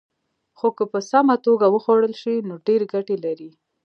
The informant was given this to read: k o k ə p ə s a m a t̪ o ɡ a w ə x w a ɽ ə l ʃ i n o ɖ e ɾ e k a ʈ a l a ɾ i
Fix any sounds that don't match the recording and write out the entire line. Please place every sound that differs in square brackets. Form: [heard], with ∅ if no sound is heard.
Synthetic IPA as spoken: [x] o k ə p ə s a m a t̪ o ɡ a w ə x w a ɽ ə l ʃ i n o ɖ e ɾ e [ɡ] a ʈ [e] l a ɾ i